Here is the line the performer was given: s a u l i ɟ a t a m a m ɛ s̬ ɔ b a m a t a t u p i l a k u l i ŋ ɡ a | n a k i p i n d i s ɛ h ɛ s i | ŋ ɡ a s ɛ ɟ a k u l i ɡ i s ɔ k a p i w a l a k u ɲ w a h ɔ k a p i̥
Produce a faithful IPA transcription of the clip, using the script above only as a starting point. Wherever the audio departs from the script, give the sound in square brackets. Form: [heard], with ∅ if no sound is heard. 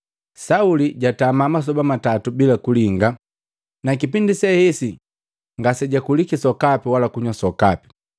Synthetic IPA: s a u l i ɟ a t a m a m [a] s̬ ɔ b a m a t a t u [b] i l a k u l i ŋ ɡ a | n a k i p i n d i s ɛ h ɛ s i | ŋ ɡ a s ɛ ɟ a k u l i [k] i s ɔ k a p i w a l a k u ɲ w a [s] ɔ k a p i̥

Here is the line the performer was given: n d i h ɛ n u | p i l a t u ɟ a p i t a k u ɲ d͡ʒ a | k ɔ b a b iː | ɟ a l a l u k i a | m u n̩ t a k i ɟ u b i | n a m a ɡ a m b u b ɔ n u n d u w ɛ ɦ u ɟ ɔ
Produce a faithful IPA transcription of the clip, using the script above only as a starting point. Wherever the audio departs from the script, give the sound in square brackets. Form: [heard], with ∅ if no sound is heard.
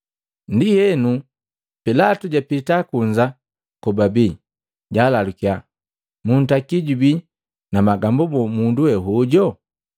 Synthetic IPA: n d i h ɛ n u | p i l a t u ɟ a p i t a k u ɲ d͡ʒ a | k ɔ b a b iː | ɟ a l a l u k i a | m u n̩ t a k i ɟ u b i | n a m a ɡ a m b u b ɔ [m] u n d u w ɛ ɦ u ɟ ɔ

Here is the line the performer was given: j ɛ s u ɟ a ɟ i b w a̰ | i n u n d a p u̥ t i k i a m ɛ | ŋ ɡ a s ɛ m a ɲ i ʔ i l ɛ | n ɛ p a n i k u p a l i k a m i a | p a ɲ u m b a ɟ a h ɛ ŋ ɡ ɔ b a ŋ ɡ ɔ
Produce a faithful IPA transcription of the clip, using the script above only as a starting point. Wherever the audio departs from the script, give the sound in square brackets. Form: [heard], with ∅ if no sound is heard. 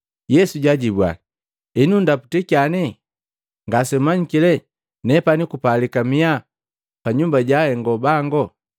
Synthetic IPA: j ɛ s u ɟ a ɟ i b w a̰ | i n u n d a p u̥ t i k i a [n] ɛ | ŋ ɡ a s ɛ m a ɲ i [k] i l ɛ | n ɛ p a n i k u p a l i k a m i a | p a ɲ u m b a ɟ a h ɛ ŋ ɡ ɔ b a ŋ ɡ ɔ

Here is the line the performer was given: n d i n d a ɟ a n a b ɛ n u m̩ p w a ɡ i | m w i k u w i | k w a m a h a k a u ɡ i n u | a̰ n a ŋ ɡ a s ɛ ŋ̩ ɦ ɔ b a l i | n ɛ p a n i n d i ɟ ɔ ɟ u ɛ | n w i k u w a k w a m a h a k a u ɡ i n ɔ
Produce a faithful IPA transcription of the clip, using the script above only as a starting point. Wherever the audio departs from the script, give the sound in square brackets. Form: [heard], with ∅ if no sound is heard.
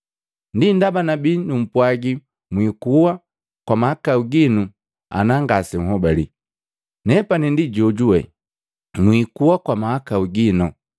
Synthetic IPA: n d i n d a [b] a n a b [i] n u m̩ p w a ɡ i | m w i k u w [a] | k w a m a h a k a u ɡ i n u | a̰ n a ŋ ɡ a s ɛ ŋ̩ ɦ ɔ b a l i | n ɛ p a n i n d i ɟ ɔ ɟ u ɛ | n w i k u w a k w a m a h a k a u ɡ i n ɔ

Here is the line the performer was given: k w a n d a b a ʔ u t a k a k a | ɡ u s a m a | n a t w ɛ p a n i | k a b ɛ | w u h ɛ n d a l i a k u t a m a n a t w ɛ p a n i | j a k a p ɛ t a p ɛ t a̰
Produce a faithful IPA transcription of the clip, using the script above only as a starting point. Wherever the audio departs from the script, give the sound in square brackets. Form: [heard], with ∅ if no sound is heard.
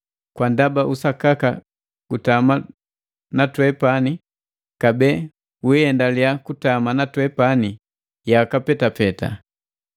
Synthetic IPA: k w a n d a b a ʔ u [s] a k a k a | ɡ u [t] a m a | n a t w ɛ p a n i | k a b ɛ | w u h ɛ n d a l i a k u t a m a n a t w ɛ p a n i | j a k a p ɛ t a p ɛ t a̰

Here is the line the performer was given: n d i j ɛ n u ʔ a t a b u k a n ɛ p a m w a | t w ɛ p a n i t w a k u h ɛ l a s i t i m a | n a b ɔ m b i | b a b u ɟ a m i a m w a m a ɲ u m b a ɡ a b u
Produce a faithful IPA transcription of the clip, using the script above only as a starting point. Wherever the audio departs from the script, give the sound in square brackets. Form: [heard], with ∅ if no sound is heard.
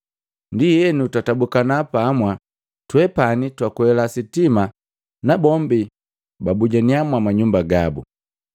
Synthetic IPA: n d i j ɛ n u [t] a t a b u k a n [a] p a m w a | t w ɛ p a n i t w a k u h ɛ l a s i t i m a | n a b ɔ m b i | b a b u ɟ a [n] i a m w a m a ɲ u m b a ɡ a b u

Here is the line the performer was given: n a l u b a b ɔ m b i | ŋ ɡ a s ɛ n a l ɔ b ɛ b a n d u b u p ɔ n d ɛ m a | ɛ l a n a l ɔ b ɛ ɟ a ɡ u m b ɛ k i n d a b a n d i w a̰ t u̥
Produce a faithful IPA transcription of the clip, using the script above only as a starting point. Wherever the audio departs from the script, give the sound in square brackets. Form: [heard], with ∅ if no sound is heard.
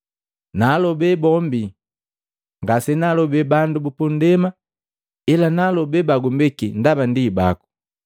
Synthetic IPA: n a l [ɔ] b [ɛ] b ɔ m b i | ŋ ɡ a s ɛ n a l ɔ b ɛ b a n d u b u p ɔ n d ɛ m a | ɛ l a n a l ɔ b ɛ [b] a ɡ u m b ɛ k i n d a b a n d i [b] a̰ [k] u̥

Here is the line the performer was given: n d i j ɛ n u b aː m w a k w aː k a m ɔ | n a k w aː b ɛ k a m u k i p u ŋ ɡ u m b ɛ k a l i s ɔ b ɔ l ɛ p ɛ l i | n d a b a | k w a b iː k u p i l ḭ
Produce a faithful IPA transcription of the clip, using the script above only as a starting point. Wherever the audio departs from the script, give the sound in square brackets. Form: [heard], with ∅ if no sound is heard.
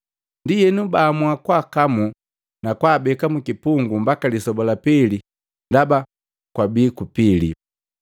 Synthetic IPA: n d i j ɛ n u b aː m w a k w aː k a m [u] | n a k w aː b ɛ k a m u k i p u ŋ ɡ u m b [a] k a l i s ɔ b ɔ l [a] p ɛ l i | n d a b a | k w a b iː k u p i l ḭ

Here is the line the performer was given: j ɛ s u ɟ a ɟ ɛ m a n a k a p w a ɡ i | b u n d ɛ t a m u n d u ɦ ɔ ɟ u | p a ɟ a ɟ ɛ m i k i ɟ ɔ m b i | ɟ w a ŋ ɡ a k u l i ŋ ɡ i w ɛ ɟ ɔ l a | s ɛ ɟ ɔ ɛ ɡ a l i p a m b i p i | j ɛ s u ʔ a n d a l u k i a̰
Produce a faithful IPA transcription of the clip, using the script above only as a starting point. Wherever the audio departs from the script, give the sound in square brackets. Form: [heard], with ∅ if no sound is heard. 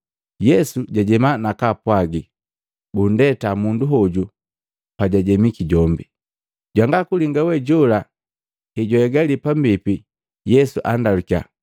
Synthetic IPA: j ɛ s u ɟ a ɟ ɛ m a n a k a p w a ɡ i | b u n d ɛ t a m u n d u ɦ ɔ ɟ u | p a ɟ a ɟ ɛ m i k i ɟ ɔ m b i | ɟ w a ŋ ɡ a k u l i ŋ ɡ [a] w ɛ ɟ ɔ l a | [h] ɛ ɟ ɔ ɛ ɡ a l i p a m b i p i | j ɛ s u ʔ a n d a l u k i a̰

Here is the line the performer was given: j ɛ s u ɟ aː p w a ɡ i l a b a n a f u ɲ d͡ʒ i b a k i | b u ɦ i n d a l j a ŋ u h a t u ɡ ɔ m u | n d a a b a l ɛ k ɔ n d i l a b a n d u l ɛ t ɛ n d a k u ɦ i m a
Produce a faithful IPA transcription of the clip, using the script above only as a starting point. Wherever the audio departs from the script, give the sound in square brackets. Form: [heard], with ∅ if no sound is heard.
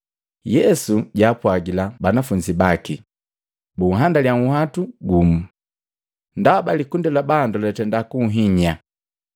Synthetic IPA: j ɛ s u ɟ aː p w a ɡ i l a b a n a f u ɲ d͡ʒ i b a k i | b u ɦ [a] n d a l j a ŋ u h a t u ɡ [u] m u | n d a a b a l [i] k [u] n d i l a b a n d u l ɛ t ɛ n d a k u ɦ i [ɲ] a

